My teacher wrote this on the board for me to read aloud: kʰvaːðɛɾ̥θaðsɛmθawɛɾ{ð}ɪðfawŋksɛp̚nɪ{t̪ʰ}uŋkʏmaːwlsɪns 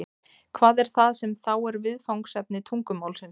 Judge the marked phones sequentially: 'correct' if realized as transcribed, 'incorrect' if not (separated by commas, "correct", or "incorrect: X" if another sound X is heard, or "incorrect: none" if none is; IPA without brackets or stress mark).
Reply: incorrect: v, correct